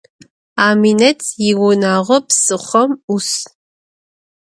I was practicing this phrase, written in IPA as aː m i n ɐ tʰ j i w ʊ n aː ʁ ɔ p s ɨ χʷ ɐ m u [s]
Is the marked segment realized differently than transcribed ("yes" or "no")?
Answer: no